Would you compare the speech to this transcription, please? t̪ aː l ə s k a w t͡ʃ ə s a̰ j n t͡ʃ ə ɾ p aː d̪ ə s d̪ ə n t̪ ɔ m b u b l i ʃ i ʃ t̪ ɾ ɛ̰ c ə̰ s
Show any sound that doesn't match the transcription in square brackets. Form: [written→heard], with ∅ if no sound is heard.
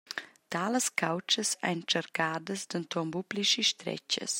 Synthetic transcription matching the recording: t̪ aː l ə s k a w t͡ʃ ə s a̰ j n t͡ʃ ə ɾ [p→k] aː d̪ ə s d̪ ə n t̪ ɔ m b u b l i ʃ i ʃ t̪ ɾ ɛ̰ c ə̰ s